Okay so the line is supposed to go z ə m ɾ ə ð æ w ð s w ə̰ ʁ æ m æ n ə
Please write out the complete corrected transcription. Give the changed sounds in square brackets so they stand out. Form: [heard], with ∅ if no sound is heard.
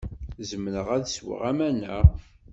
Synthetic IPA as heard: z ə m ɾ ə [ʁ] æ [∅] ð s w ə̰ ʁ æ m æ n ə